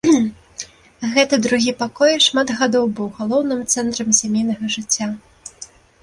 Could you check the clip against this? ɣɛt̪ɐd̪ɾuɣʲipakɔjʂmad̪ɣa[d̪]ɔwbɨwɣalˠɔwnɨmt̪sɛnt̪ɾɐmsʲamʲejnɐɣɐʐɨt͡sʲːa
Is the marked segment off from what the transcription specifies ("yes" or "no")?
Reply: no